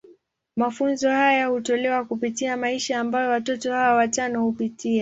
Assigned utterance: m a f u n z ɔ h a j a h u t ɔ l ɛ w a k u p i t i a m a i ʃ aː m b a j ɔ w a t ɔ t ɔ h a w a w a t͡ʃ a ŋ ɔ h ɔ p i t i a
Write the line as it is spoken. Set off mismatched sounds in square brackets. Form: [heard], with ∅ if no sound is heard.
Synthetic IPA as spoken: m a f u n z ɔ h a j a h u t ɔ l ɛ w a k u p i t i a m a i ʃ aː m b a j ɔ w a t ɔ t ɔ h a w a w a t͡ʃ a [n] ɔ h [u] p i t i a